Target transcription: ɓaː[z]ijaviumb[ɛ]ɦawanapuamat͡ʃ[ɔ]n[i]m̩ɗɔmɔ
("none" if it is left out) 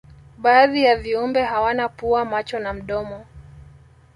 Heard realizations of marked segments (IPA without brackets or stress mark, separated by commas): ð, ɛ, ɔ, a